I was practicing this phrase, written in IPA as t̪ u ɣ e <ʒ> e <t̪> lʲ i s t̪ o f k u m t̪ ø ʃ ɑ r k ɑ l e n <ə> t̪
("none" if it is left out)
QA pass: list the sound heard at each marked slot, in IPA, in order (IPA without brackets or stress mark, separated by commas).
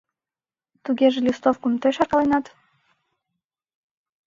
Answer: ʒ, none, ɑ